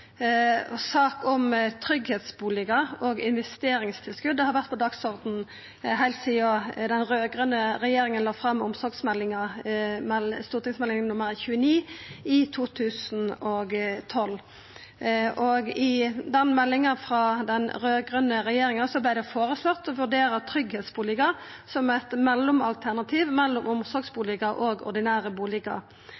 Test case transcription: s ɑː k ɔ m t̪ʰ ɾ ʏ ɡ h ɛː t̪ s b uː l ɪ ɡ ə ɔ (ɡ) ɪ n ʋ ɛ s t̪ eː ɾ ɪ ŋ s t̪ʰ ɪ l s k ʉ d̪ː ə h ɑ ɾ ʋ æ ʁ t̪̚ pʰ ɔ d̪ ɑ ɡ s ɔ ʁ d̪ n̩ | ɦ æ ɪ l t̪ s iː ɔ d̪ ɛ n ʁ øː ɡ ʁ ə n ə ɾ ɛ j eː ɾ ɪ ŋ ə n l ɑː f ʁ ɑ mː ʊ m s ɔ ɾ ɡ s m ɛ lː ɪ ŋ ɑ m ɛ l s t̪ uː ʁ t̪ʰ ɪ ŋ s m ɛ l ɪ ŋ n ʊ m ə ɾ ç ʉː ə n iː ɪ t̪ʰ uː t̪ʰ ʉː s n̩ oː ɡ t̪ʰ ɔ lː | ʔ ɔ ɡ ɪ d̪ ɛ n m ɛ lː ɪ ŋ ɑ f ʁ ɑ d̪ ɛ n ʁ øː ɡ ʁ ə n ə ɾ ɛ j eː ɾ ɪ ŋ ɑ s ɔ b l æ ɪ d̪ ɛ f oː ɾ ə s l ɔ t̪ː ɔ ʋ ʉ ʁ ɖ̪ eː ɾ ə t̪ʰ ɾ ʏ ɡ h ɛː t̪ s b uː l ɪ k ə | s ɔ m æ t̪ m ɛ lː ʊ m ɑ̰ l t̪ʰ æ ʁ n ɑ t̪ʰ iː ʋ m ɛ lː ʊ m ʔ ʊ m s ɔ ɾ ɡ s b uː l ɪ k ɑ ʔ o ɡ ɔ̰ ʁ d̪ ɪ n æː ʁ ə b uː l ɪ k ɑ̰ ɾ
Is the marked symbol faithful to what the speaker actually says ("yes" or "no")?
yes